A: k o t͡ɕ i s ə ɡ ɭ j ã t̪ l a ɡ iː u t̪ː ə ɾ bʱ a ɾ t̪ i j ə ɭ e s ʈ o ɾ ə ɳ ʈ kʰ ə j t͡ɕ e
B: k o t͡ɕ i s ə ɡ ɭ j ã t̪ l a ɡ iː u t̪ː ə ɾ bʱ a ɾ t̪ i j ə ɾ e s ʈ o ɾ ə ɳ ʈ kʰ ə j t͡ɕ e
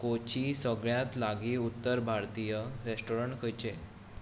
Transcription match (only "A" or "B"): B